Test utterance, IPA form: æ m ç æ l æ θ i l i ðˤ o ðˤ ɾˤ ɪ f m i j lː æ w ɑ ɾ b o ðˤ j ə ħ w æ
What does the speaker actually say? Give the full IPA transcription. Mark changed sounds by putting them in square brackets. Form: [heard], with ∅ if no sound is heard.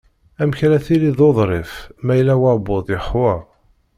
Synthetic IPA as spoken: æ m ç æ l æ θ i l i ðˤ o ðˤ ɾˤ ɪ f m [æ] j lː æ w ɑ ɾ b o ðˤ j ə ħ w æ